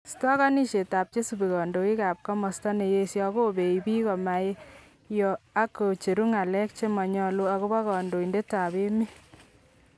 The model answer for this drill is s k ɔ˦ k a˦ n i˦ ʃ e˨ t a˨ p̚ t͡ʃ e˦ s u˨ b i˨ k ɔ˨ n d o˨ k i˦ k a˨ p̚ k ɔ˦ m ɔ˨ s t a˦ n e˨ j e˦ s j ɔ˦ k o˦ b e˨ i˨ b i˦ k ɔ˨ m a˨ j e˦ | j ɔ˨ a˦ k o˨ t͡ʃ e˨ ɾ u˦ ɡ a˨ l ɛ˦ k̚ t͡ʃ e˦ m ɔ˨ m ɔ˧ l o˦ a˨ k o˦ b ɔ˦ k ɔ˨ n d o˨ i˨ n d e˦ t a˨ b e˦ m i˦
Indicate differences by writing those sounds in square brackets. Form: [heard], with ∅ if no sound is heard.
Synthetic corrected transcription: s [t] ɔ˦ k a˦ n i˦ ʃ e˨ t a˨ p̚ t͡ʃ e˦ s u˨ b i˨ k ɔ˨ n d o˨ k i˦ k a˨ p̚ k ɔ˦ m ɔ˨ s t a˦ n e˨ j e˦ s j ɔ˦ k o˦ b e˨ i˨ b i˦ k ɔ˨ m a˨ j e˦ | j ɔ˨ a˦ k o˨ t͡ʃ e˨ ɾ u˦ [ŋ] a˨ l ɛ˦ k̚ t͡ʃ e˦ m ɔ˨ [ɲ] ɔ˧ l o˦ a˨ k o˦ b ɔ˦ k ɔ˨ n d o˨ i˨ n d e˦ t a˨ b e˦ m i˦